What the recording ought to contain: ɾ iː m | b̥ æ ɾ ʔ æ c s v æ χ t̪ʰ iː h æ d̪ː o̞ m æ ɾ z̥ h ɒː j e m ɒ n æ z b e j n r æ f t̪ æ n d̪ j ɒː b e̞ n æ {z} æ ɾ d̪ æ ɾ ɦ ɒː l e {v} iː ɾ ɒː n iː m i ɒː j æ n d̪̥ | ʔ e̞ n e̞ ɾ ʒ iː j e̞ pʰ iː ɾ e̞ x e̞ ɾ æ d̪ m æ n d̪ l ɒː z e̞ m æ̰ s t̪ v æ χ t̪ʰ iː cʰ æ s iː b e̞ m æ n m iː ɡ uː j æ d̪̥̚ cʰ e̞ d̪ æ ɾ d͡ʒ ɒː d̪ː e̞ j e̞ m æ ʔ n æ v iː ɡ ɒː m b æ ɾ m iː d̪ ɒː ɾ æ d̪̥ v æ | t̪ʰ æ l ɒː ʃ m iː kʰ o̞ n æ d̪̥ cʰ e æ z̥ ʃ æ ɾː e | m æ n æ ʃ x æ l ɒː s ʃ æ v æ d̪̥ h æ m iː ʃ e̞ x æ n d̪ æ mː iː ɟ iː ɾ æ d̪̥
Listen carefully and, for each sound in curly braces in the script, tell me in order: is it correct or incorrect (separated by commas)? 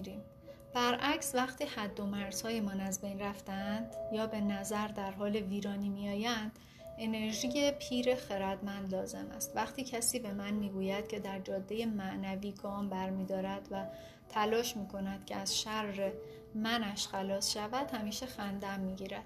correct, correct